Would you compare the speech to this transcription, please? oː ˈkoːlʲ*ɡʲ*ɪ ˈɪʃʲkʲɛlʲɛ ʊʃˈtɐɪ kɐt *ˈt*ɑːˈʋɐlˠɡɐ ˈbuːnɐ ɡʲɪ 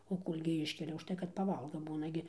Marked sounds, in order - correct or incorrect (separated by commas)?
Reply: correct, incorrect